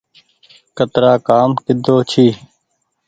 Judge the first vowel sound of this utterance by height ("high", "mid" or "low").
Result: mid